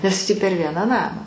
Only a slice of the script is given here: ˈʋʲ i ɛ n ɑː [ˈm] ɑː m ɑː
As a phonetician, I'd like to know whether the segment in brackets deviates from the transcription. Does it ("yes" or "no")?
yes